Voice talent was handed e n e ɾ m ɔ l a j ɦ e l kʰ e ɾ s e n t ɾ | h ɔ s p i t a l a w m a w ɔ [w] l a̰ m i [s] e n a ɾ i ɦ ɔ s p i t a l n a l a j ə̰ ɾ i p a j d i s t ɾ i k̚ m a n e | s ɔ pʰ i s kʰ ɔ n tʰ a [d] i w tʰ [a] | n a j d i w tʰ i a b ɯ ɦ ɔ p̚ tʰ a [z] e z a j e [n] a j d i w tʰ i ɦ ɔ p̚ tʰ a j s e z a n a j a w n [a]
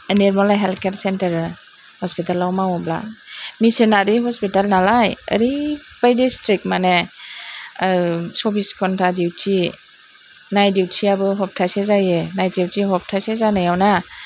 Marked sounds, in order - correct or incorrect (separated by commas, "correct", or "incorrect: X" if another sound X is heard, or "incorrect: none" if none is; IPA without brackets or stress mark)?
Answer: incorrect: b, correct, correct, incorrect: i, incorrect: s, correct, correct